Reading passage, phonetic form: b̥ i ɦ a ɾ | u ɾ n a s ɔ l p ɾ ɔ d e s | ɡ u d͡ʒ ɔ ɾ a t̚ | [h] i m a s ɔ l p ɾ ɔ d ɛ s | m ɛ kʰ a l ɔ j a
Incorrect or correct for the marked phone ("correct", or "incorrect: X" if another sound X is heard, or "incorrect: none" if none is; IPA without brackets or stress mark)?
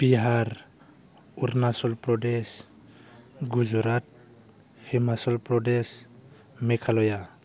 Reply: correct